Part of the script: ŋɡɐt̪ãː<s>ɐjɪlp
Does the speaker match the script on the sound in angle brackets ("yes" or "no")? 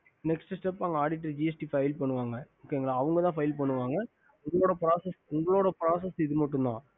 no